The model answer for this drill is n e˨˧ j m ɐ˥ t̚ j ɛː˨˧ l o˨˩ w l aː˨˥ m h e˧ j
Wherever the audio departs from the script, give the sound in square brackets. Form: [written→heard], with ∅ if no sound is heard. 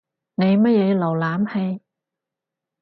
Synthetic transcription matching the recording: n e˨˧ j m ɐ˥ t̚ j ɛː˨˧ l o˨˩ w l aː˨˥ m h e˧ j